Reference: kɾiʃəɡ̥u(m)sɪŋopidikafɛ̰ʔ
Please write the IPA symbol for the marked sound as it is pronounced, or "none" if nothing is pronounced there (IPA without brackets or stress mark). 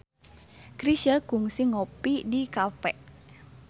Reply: ŋ